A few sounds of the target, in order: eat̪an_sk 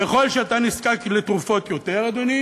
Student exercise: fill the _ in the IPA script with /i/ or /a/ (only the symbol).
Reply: i